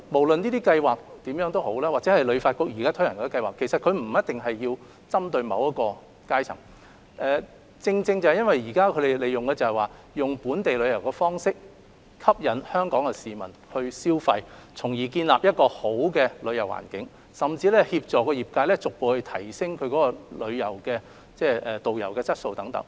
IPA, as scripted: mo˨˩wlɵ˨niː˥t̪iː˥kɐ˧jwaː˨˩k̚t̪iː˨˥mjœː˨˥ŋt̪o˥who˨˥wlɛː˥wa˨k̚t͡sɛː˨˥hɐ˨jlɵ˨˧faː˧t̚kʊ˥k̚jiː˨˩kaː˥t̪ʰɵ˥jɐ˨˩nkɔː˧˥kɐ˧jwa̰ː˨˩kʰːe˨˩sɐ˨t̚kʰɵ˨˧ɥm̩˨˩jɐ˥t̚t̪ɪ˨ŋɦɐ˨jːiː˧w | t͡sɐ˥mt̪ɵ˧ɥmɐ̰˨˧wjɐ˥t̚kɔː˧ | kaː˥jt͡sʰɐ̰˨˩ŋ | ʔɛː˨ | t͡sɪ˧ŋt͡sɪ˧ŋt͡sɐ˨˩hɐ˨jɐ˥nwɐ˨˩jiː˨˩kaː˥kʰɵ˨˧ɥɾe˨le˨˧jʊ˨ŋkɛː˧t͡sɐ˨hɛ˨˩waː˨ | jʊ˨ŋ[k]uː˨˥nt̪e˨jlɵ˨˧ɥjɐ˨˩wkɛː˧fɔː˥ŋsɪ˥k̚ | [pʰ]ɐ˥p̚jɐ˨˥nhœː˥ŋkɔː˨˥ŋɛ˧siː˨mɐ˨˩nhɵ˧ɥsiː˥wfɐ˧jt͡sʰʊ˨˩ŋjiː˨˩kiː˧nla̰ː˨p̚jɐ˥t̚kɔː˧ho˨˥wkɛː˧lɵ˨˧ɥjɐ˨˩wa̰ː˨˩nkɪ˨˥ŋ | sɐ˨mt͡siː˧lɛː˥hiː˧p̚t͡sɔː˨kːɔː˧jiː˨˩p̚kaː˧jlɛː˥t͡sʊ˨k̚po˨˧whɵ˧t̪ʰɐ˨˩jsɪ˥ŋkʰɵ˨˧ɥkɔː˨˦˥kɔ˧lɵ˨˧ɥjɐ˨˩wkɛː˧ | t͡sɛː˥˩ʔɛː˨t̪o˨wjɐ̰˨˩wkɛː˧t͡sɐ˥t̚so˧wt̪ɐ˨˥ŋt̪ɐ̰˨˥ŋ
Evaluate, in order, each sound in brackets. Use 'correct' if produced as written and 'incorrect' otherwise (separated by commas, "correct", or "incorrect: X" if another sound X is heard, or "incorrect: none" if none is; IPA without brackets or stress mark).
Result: incorrect: p, incorrect: kʰ